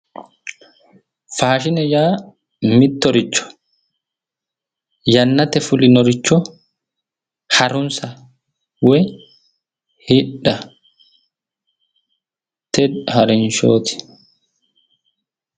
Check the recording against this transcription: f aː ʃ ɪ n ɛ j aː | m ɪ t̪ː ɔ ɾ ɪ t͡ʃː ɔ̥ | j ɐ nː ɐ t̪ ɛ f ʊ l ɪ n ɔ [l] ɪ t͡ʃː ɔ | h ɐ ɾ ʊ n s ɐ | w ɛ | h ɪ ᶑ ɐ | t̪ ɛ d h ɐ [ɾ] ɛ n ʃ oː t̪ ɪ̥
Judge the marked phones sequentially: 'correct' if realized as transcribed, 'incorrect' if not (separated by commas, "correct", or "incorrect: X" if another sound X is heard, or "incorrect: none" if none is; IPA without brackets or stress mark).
incorrect: ɾ, correct